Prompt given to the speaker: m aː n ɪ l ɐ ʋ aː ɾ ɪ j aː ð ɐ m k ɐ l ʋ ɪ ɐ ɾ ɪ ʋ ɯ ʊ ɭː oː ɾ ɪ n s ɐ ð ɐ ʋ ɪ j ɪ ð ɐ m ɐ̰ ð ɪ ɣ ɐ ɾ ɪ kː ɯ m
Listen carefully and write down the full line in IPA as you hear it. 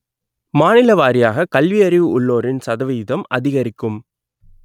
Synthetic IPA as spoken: m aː n ɪ l ɐ ʋ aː ɾ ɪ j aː ɣ ɐ k ɐ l ʋ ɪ ɐ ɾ ɪ ʋ ɯ ʊ ɭː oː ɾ ɪ n s ɐ ð ɐ ʋ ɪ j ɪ ð ɐ m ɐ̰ ð ɪ ɣ ɐ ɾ ɪ kː ɯ m